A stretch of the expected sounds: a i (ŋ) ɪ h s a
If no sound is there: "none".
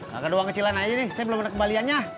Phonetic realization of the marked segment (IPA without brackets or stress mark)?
n